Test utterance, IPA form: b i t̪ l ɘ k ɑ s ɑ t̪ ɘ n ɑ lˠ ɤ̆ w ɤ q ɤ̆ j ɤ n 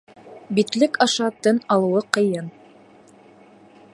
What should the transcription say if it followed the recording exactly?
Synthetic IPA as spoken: b i t̪ l ɘ k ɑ ʃ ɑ t̪ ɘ n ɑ lˠ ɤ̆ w ɤ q ɤ̆ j ɤ n